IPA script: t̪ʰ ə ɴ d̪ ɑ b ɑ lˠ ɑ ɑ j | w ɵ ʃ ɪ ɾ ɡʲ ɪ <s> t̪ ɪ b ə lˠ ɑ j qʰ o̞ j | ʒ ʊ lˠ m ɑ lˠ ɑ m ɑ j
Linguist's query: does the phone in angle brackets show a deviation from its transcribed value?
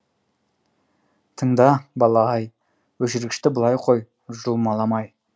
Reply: yes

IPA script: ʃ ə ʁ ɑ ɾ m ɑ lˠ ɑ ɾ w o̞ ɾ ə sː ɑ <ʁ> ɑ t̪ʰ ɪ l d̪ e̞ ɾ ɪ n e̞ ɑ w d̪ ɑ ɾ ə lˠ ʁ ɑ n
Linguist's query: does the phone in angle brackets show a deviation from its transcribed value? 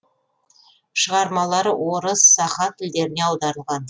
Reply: yes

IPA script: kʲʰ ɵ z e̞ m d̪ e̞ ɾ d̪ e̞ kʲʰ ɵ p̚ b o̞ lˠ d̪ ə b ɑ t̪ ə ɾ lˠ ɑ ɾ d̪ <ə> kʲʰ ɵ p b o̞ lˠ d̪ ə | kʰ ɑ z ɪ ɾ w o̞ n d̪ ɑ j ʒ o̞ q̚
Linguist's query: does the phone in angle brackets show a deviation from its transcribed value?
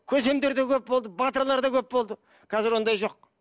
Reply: yes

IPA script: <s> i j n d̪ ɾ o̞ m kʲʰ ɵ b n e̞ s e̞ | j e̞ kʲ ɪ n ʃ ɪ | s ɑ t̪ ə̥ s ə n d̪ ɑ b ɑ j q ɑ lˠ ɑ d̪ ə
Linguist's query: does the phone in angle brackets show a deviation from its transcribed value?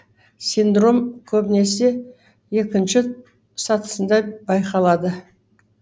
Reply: no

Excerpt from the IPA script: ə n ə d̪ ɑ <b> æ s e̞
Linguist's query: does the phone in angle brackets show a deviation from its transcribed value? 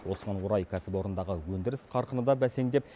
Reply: no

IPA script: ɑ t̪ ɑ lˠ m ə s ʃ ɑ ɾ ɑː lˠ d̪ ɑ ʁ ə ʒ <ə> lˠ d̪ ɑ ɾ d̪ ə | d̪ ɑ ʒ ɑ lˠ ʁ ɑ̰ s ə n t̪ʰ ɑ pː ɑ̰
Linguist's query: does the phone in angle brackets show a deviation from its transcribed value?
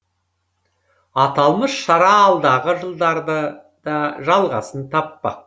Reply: no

